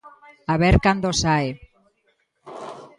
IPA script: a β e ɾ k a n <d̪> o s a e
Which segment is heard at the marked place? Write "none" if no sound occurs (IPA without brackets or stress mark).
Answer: d̪